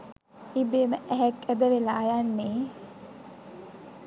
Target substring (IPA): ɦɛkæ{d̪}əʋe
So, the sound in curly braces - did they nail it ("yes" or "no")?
yes